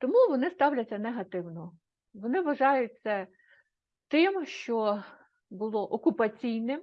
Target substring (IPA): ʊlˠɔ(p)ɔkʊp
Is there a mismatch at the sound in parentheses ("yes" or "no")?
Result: yes